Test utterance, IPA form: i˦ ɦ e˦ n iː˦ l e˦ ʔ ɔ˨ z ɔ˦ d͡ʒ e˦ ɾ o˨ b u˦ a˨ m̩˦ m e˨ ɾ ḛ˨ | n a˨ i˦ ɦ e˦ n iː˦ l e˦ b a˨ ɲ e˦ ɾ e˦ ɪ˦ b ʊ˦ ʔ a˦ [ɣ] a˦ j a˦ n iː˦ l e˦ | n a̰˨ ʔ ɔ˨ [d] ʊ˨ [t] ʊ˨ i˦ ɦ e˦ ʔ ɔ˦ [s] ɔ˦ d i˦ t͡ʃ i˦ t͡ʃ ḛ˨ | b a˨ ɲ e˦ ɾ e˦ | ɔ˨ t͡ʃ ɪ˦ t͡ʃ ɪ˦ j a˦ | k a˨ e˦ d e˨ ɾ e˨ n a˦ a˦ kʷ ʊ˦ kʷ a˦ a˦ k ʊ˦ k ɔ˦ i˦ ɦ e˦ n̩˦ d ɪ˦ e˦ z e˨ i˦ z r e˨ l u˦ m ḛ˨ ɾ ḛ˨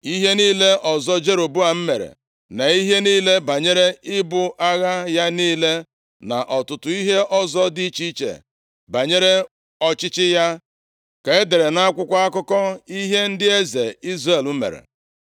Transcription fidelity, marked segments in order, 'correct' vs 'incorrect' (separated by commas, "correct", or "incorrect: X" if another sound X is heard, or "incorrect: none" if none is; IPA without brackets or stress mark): correct, incorrect: t, correct, incorrect: z